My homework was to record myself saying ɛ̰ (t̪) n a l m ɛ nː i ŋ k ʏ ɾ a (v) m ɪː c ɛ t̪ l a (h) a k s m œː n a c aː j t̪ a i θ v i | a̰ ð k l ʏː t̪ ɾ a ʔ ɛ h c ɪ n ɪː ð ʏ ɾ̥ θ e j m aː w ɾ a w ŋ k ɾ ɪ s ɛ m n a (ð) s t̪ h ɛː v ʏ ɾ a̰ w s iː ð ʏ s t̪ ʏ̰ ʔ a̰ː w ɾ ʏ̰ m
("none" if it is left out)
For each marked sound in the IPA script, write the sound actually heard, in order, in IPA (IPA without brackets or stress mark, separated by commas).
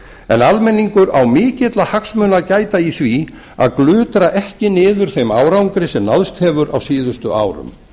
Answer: none, w, h, ð